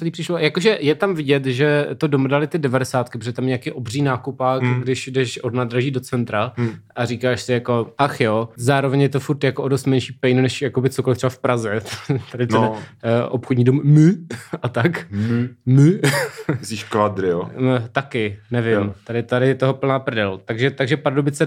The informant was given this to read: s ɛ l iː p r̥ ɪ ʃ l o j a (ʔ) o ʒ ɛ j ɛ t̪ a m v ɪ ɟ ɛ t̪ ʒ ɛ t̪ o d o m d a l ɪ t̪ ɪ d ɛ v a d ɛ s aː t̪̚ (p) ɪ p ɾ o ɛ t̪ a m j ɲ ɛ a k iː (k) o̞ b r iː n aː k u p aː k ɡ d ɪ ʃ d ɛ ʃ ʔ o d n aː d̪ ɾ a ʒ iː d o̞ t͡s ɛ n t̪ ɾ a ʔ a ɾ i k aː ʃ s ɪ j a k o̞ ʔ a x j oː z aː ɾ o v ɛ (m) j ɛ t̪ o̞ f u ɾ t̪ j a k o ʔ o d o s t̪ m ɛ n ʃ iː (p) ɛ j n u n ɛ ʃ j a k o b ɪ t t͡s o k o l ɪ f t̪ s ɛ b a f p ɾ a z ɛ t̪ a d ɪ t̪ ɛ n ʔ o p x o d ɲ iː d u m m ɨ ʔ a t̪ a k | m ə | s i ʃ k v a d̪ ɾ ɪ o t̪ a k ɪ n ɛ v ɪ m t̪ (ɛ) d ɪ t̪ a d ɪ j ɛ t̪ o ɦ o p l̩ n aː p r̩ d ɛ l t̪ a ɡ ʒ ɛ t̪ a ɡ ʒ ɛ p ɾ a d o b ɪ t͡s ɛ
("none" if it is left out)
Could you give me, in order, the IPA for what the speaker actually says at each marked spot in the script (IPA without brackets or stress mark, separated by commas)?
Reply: k, k, ʔ, ɲ, p, a